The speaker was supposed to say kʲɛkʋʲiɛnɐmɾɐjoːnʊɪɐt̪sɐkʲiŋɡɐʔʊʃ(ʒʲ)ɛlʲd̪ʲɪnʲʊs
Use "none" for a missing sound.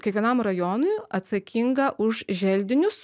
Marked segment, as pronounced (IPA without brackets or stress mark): ʒʲ